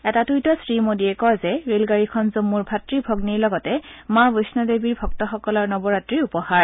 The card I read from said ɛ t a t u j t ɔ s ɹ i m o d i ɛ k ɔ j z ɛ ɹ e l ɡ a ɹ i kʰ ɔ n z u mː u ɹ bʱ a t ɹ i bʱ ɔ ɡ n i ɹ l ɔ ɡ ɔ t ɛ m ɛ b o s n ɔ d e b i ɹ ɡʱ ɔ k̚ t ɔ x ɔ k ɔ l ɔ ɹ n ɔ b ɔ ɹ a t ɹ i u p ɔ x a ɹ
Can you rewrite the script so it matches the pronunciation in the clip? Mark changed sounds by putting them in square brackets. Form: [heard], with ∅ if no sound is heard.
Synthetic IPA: ɛ t a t u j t ɔ s ɹ i m o d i ɛ k ɔ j z ɛ ɹ e l ɡ a ɹ i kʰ ɔ n z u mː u ɹ bʱ a t ɹ i bʱ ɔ ɡ n i ɹ l ɔ ɡ ɔ t ɛ m [a] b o s n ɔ d e b i ɹ [bʱ] ɔ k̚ t ɔ x ɔ k ɔ l ɔ ɹ n ɔ b ɔ ɹ a t ɹ i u p ɔ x a ɹ

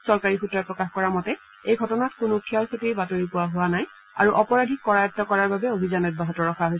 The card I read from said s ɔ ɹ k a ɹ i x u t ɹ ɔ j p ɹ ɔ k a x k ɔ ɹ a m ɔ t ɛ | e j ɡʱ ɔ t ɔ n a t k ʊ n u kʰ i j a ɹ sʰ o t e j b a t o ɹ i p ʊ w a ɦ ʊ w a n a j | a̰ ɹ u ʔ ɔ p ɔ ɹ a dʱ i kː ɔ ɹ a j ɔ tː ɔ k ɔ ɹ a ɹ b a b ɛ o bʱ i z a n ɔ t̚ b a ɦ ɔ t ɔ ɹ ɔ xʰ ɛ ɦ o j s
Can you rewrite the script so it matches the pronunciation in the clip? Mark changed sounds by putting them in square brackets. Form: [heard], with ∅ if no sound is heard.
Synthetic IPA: s ɔ ɹ k a ɹ i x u t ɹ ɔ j p ɹ ɔ k a x k ɔ ɹ a m ɔ t ɛ | e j ɡʱ ɔ t ɔ n a t k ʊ n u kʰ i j a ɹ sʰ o t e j b a t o ɹ i p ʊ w a ɦ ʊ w a n a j | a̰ ɹ u ʔ ɔ p ɔ ɹ a dʱ i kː ɔ ɹ a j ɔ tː ɔ k ɔ ɹ a ɹ b a b ɛ o bʱ i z a n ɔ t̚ b a ɦ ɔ t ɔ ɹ ɔ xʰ [a] ɦ o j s

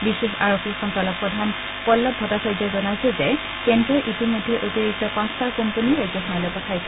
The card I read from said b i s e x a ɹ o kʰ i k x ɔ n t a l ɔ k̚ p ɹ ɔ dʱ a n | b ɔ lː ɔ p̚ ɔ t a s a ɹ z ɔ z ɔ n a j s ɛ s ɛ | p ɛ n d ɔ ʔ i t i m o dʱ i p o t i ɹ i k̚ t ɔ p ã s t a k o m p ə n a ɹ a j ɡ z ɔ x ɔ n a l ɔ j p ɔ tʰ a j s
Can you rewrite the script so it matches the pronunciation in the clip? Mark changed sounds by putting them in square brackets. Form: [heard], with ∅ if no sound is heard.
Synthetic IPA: b i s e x a ɹ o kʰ i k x ɔ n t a l ɔ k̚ p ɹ ɔ dʱ a n | [p] ɔ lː ɔ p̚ ɔ t a s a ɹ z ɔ z ɔ n a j s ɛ [z] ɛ | [k] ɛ n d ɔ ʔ i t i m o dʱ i [ʔ] o t i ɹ i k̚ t ɔ p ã s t a k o m p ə n [i] ɹ a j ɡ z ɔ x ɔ n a l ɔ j p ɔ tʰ a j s

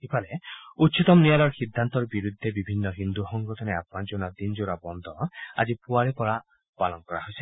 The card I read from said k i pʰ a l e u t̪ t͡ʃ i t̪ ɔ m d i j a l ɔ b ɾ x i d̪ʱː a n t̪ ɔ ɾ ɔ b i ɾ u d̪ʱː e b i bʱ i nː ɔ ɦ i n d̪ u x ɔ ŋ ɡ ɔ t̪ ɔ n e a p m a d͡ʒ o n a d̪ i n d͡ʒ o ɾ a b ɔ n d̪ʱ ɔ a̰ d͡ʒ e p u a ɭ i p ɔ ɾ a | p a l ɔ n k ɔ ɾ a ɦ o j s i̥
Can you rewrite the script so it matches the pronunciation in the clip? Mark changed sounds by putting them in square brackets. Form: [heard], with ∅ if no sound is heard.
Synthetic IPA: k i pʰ a l e u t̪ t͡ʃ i t̪ ɔ m [n] i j a l ɔ [∅] ɾ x i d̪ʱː a n t̪ ɔ ɾ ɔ b i ɾ u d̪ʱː e b i bʱ i nː ɔ ɦ i n d̪ u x ɔ ŋ ɡ ɔ t̪ ɔ n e a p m a d͡ʒ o n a d̪ i n d͡ʒ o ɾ a b ɔ n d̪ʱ ɔ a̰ d͡ʒ [i] p u a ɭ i p ɔ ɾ a | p a l ɔ n k ɔ ɾ a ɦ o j s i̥

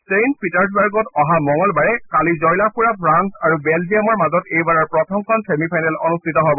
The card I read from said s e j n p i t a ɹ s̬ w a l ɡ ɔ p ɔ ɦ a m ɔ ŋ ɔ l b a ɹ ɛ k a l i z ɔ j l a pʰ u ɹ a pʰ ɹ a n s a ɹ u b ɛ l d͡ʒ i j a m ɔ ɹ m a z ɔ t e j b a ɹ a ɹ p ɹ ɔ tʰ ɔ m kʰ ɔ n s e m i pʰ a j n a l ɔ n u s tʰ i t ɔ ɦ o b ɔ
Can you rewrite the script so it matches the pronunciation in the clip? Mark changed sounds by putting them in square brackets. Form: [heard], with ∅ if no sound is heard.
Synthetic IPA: s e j n p i t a ɹ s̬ [b] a [ɹ] ɡ ɔ [t] ɔ ɦ a m ɔ ŋ ɔ l b a ɹ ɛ k a l i z ɔ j l a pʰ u ɹ a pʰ ɹ a n s a ɹ u b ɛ l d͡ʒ i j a m ɔ ɹ m a z ɔ t e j b a ɹ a ɹ p ɹ ɔ tʰ ɔ m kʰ ɔ n s e m i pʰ a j n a l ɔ n u s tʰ i t ɔ ɦ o b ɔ

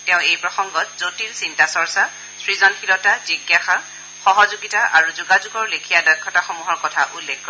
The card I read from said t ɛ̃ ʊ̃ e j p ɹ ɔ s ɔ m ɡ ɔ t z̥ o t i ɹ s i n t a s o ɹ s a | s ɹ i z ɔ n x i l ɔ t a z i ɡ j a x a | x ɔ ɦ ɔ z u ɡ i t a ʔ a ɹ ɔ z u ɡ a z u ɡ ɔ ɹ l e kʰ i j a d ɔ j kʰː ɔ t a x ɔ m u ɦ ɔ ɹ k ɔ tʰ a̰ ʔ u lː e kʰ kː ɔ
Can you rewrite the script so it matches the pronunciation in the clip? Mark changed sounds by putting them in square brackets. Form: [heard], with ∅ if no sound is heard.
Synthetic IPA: t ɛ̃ ʊ̃ e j p ɹ ɔ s ɔ [ŋ] ɡ ɔ t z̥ o t i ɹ s i n t a s [ɔ] ɹ s a | s ɹ i z ɔ n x i l ɔ t a z i ɡ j a x a | x ɔ ɦ ɔ z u ɡ i t a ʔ a ɹ [u] z u ɡ a z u ɡ ɔ ɹ l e kʰ i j a d ɔ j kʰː ɔ t a x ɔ m u ɦ ɔ ɹ k ɔ tʰ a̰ ʔ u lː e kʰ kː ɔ

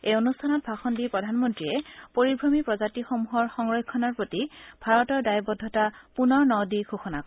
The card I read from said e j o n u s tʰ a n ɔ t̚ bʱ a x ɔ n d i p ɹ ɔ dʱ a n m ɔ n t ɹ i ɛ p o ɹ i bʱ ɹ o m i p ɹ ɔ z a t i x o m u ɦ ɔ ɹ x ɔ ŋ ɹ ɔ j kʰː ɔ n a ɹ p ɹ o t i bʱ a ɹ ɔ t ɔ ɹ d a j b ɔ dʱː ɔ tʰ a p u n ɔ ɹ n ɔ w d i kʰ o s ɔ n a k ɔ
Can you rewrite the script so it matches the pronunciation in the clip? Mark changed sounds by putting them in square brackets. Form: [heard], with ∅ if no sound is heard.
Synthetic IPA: e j o n u s tʰ a n ɔ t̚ bʱ a x ɔ n d i p ɹ ɔ dʱ a n m ɔ n t ɹ i ɛ p o ɹ i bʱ ɹ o m i p ɹ ɔ z a t i x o m u ɦ ɔ ɹ x ɔ ŋ ɹ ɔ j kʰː ɔ n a ɹ p ɹ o t i bʱ a ɹ ɔ t ɔ ɹ d a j b ɔ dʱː ɔ [t] a p u n ɔ ɹ n ɔ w d i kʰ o [x] ɔ n a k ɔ

